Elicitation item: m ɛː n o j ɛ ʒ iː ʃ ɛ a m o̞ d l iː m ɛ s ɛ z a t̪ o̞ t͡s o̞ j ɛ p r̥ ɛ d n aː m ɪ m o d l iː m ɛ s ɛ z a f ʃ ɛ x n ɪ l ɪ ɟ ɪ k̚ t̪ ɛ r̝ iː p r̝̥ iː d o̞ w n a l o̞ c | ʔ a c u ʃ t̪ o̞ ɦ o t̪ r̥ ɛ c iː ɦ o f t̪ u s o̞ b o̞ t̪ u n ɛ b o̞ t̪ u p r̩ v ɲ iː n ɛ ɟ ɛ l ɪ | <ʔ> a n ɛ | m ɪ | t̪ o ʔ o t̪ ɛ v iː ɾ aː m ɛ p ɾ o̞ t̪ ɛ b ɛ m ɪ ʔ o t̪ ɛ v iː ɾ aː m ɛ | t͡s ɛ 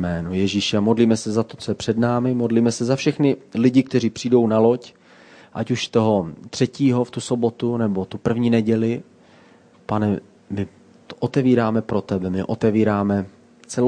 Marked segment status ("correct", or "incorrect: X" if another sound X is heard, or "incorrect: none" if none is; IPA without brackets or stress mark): incorrect: p